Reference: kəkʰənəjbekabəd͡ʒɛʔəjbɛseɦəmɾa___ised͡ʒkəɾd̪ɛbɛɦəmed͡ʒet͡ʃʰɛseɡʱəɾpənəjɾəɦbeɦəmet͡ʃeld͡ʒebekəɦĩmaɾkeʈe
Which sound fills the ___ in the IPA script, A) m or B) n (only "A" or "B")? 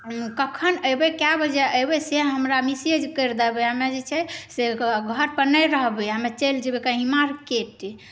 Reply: A